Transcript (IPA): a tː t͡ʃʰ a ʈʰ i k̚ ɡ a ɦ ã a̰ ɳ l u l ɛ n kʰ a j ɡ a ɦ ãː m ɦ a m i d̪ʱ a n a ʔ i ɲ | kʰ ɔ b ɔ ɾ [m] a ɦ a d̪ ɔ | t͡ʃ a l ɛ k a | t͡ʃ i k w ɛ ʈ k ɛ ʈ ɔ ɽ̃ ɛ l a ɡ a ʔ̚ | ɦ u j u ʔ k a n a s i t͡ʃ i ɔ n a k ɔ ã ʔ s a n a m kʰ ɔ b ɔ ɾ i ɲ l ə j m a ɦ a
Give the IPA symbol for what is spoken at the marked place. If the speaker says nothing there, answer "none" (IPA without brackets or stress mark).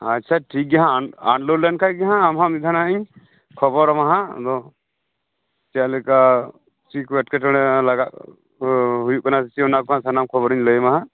m